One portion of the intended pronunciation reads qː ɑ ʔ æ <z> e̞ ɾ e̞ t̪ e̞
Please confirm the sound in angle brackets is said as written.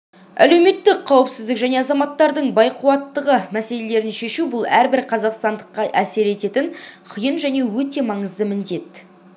no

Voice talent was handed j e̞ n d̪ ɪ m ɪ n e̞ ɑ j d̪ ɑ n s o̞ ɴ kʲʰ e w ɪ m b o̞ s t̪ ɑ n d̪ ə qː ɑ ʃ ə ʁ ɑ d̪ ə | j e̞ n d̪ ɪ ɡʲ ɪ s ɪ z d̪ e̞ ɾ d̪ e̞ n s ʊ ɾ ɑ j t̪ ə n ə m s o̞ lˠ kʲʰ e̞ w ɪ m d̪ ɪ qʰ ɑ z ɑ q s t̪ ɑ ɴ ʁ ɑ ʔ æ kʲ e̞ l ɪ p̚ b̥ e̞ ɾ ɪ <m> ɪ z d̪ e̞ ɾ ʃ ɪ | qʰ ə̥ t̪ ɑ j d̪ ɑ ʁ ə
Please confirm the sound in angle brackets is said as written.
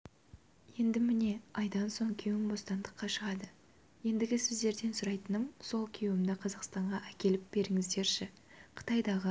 no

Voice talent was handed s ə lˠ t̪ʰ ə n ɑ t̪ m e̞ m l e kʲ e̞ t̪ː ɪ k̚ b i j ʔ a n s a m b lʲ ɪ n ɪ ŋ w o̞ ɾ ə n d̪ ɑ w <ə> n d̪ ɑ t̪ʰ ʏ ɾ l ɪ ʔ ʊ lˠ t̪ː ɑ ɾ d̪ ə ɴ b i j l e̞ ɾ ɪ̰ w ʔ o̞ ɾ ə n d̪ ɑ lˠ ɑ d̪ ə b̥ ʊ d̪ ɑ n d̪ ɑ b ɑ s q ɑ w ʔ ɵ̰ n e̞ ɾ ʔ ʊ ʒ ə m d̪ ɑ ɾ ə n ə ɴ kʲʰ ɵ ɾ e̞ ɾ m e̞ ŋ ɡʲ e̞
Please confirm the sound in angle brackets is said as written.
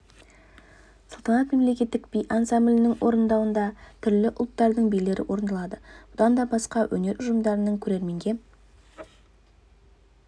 yes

